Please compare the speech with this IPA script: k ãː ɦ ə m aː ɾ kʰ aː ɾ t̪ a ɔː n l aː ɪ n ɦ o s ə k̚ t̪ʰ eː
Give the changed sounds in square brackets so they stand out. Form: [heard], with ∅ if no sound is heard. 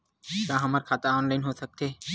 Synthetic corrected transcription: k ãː ɦ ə m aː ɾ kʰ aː [∅] t̪ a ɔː n l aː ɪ n ɦ o s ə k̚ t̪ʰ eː